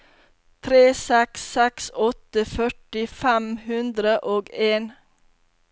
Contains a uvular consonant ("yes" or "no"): no